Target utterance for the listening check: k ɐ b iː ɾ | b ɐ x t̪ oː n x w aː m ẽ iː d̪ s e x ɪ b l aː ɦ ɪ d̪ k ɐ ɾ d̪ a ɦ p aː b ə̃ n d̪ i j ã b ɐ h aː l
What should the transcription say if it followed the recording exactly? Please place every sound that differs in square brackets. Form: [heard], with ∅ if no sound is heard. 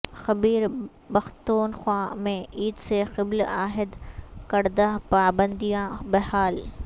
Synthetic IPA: [x] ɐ b iː ɾ | b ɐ x t̪ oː n x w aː m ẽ iː d̪ s e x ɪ b l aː ɦ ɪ d̪ k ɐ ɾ d̪ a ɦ p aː b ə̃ n d̪ i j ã b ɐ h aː l